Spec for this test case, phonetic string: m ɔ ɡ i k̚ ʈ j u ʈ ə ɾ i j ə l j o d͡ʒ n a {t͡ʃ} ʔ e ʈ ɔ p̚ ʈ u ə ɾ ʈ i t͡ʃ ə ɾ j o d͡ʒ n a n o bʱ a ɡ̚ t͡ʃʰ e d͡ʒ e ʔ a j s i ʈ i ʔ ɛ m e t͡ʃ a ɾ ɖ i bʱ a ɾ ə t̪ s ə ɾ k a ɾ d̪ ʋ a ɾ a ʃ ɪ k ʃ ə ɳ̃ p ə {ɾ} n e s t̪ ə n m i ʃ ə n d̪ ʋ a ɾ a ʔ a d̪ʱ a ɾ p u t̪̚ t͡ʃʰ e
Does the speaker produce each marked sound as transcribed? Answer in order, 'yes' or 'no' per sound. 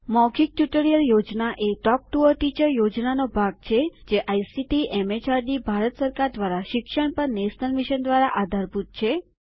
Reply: no, yes

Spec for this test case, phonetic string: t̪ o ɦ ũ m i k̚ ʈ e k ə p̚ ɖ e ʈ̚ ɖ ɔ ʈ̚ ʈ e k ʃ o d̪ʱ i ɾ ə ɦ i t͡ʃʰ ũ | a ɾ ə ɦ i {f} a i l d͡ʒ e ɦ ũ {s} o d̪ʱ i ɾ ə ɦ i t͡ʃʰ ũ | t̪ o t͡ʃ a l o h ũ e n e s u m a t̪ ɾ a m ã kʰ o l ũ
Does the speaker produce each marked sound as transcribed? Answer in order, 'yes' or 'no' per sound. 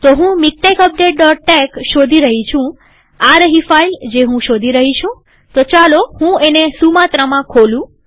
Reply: yes, no

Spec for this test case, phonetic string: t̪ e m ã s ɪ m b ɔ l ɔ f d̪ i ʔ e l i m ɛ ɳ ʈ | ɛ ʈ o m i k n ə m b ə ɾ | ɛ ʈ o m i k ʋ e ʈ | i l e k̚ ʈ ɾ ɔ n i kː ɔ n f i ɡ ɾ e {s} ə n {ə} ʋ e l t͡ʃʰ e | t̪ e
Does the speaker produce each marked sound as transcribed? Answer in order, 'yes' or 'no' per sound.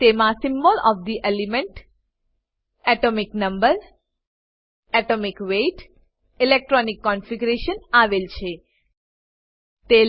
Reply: no, no

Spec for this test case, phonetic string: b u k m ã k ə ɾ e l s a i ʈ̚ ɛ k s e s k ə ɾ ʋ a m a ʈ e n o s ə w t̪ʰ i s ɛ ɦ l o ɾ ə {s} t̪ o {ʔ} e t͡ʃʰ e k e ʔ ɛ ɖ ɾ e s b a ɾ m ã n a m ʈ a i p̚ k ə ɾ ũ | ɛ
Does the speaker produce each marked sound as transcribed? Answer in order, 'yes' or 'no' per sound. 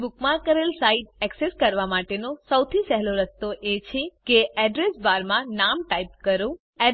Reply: yes, yes

